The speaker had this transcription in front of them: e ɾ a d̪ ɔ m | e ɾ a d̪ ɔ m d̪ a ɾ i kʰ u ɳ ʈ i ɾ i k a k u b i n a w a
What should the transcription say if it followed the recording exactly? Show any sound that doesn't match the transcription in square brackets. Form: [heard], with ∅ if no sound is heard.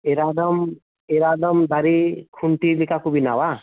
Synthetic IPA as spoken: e ɾ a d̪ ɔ m | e ɾ a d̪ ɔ m d̪ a ɾ i kʰ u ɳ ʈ i [l] i k a k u b i n a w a